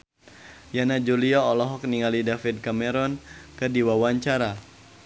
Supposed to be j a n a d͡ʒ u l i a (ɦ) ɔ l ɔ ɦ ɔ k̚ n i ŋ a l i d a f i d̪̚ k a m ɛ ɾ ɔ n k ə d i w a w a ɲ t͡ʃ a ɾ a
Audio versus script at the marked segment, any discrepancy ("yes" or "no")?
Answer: yes